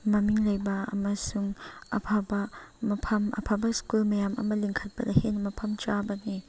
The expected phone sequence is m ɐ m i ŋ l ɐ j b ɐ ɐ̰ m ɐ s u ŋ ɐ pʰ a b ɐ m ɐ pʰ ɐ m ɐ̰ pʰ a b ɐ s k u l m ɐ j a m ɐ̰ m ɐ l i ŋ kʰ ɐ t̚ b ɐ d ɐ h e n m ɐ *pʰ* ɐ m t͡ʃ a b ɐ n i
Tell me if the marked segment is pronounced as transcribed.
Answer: yes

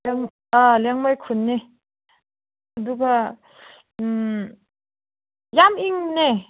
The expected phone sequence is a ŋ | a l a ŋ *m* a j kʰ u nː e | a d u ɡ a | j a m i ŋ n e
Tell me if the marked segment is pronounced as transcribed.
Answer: yes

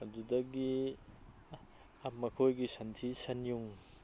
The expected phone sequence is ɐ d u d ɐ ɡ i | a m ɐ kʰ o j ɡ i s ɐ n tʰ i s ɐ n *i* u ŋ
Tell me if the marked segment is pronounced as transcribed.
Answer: no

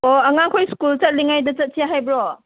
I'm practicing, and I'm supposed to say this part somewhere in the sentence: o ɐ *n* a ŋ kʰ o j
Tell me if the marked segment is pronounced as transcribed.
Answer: no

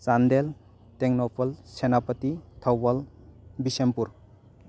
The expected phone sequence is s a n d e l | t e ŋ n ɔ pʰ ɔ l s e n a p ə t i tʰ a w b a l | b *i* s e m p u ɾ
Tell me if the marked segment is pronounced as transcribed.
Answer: yes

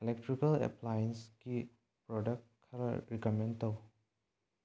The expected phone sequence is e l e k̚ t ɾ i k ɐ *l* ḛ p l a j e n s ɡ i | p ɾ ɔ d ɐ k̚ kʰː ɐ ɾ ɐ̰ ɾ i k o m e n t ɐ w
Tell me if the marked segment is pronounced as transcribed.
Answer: yes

